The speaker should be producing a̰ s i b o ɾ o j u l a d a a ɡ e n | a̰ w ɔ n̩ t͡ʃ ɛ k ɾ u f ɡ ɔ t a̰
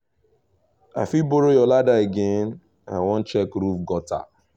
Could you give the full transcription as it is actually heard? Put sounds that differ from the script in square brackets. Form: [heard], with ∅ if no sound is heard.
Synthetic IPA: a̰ [f] i b o ɾ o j [ɔ] l a d a [e] ɡ e n | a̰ w ɔ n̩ t͡ʃ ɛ k ɾ u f ɡ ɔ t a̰